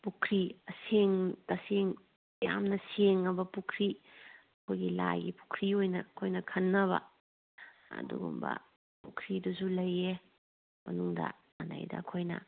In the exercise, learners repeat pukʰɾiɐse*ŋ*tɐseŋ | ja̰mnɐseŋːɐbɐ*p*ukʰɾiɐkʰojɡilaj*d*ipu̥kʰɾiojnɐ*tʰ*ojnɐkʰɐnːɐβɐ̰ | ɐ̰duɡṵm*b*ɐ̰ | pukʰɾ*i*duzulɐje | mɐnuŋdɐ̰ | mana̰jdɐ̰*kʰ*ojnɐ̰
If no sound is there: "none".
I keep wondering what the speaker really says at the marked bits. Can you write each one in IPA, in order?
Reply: ŋ, p, ɡ, kʰ, b, i, kʰ

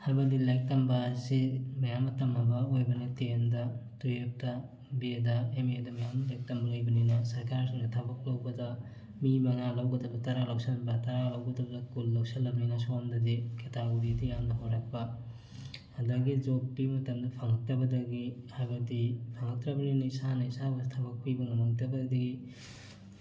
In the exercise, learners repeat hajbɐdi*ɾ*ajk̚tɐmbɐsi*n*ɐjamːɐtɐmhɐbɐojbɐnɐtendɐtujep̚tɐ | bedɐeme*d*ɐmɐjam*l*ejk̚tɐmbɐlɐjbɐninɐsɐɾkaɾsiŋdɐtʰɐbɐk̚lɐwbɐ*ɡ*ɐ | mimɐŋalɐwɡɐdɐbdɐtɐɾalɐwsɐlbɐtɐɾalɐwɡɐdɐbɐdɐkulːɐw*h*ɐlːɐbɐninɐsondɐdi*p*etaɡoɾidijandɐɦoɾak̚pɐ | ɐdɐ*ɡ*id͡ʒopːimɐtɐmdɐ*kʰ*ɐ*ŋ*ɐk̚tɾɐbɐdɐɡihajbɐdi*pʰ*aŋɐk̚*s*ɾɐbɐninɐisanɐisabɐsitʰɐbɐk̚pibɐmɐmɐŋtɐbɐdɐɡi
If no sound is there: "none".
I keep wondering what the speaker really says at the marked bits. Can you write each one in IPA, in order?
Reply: l, m, d, l, d, s, k, ɡ, pʰ, ŋ, pʰ, t

